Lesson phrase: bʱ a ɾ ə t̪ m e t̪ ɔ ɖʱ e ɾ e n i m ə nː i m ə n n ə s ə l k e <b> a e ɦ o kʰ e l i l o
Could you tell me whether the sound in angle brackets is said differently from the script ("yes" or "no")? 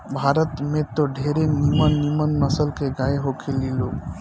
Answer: yes